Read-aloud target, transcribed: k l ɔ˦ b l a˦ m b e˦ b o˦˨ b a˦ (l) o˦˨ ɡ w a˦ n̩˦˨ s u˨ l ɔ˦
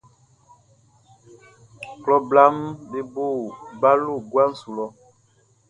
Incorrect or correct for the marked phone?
correct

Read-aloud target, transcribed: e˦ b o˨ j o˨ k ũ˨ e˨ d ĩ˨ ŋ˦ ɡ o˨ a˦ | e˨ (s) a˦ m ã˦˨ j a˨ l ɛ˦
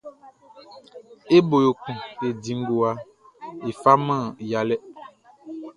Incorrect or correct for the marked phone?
incorrect: f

